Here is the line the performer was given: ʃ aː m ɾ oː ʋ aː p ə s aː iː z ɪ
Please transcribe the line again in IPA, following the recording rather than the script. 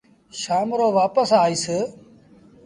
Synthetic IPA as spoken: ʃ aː m ɾ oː ʋ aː p ə s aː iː s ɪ